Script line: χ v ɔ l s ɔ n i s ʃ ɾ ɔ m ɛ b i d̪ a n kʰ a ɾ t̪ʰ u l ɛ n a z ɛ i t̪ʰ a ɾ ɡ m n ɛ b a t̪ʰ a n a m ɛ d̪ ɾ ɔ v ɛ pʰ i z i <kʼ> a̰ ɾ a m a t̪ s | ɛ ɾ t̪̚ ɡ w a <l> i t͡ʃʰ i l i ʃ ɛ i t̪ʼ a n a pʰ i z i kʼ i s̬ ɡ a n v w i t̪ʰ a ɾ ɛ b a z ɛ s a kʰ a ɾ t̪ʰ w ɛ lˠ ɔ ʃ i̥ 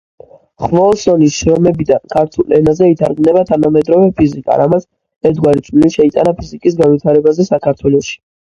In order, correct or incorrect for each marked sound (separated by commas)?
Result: correct, incorrect